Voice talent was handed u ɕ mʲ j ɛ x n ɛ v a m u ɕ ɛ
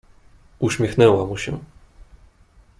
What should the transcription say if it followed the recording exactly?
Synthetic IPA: u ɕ mʲ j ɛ x n ɛ w a m u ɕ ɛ